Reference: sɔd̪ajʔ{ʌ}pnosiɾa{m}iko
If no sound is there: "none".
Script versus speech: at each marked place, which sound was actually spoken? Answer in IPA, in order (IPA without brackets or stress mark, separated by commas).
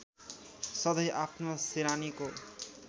a, n